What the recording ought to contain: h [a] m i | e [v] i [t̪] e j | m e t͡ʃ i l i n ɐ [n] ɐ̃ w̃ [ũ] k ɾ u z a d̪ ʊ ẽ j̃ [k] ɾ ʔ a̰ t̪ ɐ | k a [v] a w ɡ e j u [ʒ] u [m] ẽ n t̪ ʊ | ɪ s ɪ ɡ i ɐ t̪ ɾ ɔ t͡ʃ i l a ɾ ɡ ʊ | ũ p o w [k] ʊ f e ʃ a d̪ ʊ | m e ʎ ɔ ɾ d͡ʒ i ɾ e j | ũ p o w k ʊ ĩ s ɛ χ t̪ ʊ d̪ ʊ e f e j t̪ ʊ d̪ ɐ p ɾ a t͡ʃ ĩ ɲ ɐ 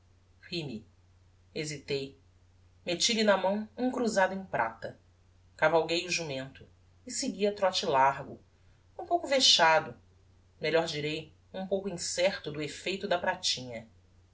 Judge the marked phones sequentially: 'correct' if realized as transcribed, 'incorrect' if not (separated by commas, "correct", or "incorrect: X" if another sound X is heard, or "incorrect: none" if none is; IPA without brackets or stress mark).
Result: incorrect: i, incorrect: z, correct, incorrect: m, correct, incorrect: p, correct, correct, correct, correct